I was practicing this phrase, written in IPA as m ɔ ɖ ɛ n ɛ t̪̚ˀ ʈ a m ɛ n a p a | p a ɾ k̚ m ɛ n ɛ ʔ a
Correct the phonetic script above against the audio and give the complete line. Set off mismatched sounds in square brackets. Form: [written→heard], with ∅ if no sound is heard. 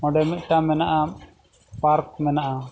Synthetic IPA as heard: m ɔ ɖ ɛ [n→m] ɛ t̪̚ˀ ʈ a m ɛ n a [p→ʔ] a | p a ɾ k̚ m ɛ n [ɛ→a] ʔ a